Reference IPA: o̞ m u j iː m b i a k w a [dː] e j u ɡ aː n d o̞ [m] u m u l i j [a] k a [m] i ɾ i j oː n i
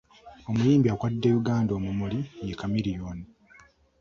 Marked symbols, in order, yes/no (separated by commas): yes, yes, no, yes